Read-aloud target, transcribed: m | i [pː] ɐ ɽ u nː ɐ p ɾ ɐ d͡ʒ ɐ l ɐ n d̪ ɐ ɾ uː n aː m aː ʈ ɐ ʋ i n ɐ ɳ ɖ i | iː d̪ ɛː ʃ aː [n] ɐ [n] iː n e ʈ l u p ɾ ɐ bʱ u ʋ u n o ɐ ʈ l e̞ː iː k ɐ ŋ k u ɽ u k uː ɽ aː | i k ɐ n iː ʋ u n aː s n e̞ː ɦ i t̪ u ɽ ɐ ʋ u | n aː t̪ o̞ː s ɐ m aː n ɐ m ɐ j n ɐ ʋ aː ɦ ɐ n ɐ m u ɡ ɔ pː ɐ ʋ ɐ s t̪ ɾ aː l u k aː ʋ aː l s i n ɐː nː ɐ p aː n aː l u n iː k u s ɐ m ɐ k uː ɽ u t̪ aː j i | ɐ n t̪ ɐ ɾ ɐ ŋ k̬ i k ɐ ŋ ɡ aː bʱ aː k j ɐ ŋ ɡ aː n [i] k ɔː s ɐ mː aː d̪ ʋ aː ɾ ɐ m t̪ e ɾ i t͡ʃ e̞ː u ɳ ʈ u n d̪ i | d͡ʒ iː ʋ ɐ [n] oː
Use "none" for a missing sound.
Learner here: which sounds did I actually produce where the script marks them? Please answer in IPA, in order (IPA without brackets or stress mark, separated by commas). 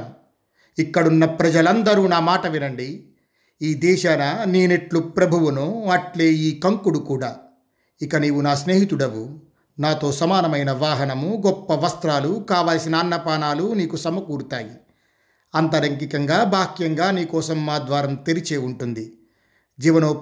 kː, n, n, iː, n